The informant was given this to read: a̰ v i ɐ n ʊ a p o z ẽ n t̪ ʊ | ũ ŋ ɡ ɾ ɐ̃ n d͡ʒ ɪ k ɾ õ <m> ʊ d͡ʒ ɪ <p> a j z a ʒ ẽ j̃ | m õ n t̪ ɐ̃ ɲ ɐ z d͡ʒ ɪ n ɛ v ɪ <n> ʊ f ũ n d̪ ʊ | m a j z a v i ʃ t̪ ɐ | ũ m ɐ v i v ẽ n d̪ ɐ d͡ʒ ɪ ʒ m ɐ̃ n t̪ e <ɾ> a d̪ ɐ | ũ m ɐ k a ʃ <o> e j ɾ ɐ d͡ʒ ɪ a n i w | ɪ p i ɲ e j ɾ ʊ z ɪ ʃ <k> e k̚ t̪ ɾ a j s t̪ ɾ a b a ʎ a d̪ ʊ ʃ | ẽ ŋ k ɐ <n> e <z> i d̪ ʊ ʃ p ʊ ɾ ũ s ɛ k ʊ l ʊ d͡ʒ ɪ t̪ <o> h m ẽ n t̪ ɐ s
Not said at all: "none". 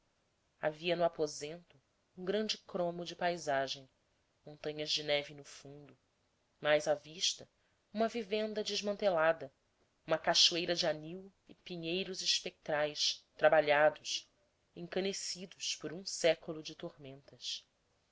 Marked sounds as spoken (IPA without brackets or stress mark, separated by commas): m, p, n, l, u, p, n, s, o